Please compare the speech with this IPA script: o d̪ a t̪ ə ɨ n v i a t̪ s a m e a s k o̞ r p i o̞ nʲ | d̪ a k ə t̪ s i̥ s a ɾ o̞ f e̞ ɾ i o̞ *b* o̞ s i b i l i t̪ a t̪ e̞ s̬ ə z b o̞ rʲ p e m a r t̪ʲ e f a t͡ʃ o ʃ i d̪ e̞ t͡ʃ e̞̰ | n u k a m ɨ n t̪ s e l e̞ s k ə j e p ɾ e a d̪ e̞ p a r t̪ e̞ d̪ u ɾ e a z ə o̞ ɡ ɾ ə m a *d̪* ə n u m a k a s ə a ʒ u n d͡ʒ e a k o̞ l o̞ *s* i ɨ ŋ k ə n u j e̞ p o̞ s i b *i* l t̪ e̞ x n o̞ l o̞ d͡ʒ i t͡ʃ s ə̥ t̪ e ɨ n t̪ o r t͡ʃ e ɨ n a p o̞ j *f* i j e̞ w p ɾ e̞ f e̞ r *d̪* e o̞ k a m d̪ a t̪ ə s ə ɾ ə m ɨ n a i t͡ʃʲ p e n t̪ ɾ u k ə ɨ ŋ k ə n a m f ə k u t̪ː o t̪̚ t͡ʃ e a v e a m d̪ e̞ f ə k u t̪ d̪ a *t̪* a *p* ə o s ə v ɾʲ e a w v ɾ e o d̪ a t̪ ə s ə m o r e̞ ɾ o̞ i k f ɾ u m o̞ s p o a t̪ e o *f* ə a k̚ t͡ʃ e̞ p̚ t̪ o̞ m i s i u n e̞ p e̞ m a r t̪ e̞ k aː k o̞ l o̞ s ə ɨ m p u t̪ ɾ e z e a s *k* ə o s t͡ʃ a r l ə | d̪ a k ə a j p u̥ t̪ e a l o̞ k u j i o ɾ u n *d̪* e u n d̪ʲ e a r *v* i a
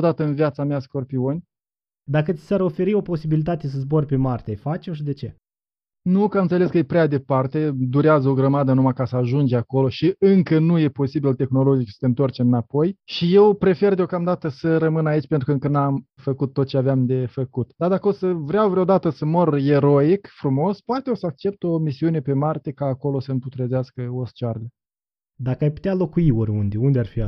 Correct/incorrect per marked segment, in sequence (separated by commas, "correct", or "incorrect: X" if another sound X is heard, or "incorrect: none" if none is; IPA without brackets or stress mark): incorrect: p, correct, incorrect: ʃ, correct, incorrect: ʃ, correct, incorrect: d̪, incorrect: k, incorrect: s, correct, correct, incorrect: f